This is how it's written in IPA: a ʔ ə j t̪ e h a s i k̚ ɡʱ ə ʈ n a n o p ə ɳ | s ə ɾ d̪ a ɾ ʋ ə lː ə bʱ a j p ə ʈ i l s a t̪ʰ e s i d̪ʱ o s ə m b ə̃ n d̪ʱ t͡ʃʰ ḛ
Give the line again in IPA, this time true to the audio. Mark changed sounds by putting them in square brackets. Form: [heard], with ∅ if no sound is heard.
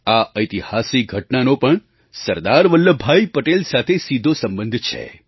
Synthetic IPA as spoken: a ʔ ə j t̪ [i] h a s i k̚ ɡʱ ə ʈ n a n o p ə ɳ | s ə ɾ d̪ a ɾ ʋ ə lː ə bʱ a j p ə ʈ [e] l s a t̪ʰ e s i d̪ʱ o s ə m b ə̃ n d̪ʱ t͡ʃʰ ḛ